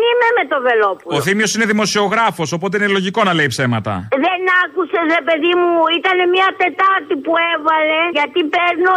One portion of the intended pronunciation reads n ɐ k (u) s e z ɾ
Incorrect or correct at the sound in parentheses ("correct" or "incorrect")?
correct